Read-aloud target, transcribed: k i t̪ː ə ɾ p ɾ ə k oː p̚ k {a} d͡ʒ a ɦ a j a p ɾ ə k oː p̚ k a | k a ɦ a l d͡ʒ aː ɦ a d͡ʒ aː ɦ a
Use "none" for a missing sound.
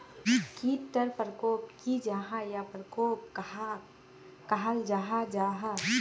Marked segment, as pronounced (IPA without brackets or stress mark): i